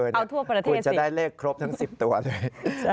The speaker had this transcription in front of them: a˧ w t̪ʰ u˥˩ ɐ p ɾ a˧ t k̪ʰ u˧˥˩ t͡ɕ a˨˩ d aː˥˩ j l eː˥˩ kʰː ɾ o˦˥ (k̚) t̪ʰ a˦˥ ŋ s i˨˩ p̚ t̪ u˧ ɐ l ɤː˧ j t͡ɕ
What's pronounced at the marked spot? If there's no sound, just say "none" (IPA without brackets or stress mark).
p̚